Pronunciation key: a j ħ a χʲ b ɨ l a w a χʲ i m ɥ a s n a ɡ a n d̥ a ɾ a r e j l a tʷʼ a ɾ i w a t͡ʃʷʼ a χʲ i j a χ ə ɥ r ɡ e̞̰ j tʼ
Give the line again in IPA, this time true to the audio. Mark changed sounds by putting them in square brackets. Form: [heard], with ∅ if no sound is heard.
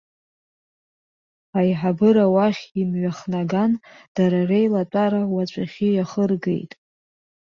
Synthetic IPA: a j ħ a [∅] b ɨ [ɾ] a w a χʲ i m ɥ a [χ] n a ɡ a n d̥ a ɾ a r e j l a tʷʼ a ɾ [a] w a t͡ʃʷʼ a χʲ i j a χ ə [∅] r ɡ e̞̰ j tʼ